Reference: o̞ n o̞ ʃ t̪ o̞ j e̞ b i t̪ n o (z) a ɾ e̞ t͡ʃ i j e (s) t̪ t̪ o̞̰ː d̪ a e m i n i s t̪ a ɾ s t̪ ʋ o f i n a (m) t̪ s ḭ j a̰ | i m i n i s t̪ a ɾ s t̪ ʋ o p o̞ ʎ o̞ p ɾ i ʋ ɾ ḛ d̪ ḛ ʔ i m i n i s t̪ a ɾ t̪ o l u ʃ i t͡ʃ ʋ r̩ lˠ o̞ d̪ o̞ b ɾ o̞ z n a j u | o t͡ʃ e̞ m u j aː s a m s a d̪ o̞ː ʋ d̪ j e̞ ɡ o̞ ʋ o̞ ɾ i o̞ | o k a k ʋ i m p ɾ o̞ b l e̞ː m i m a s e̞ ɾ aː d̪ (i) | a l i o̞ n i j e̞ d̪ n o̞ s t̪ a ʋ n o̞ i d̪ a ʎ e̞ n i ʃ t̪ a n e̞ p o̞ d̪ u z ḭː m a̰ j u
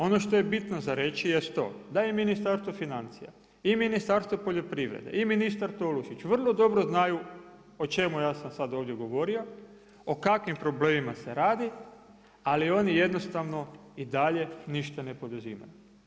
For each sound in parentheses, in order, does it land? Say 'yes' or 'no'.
yes, yes, no, yes

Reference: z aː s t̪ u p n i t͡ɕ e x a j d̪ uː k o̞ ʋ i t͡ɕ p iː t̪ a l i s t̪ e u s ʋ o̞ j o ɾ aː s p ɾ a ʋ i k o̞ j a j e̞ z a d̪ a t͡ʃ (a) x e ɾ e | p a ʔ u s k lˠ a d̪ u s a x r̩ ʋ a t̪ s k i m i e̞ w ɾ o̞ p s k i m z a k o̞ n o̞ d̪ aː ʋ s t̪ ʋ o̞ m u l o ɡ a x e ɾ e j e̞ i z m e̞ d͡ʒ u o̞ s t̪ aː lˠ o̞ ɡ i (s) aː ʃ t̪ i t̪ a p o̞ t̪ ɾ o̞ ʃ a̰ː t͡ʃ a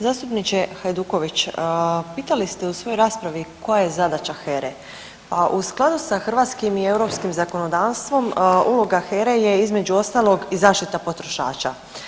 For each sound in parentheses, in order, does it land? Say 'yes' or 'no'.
yes, no

